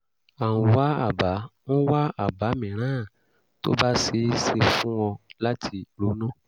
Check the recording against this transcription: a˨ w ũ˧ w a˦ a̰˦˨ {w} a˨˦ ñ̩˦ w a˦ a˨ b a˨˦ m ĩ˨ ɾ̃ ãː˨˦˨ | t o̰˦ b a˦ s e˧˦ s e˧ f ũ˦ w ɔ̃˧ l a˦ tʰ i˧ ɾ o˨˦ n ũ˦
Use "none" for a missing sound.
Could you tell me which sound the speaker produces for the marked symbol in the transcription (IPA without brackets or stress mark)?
b